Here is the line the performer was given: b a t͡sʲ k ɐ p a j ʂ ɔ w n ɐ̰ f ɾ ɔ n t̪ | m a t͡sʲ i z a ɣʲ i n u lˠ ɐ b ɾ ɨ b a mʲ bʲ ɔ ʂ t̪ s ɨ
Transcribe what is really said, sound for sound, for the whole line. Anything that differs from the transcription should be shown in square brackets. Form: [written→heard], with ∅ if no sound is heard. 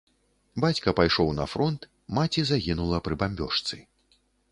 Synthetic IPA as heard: b a t͡sʲ k ɐ p a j ʂ ɔ w n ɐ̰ f ɾ ɔ n t̪ | m a t͡sʲ i z a ɣʲ i n u lˠ ɐ [b→p] ɾ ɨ b a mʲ bʲ ɔ ʂ t̪ s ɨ